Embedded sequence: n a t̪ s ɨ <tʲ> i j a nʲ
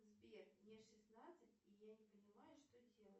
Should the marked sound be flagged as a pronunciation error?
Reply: no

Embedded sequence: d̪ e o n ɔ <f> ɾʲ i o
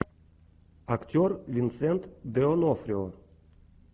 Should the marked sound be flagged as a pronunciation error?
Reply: no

